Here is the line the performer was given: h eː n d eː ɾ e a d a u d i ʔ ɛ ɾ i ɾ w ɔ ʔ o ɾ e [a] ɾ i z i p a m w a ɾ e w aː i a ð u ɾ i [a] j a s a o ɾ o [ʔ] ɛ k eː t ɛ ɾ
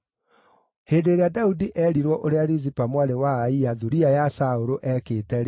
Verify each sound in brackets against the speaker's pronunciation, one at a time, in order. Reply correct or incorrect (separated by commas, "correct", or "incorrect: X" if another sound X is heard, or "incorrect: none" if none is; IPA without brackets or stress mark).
correct, correct, correct